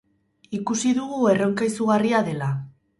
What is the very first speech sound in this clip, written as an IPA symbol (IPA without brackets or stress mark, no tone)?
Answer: i